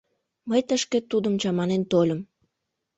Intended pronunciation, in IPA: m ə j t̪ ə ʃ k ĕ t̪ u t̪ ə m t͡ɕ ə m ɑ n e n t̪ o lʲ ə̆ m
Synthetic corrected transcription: m ə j t̪ ə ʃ k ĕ t̪ u d̪ ə m t͡ɕ ɑ m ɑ n e n t̪ o lʲ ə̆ m